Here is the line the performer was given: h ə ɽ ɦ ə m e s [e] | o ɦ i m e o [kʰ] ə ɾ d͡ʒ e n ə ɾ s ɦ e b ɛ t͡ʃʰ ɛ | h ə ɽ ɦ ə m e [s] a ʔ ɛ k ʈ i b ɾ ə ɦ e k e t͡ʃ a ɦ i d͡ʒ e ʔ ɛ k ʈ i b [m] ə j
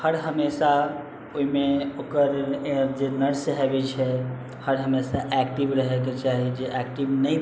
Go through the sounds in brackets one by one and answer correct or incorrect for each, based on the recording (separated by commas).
incorrect, incorrect, correct, incorrect